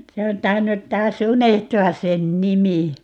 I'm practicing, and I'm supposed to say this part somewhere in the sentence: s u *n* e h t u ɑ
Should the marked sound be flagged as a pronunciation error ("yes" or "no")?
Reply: no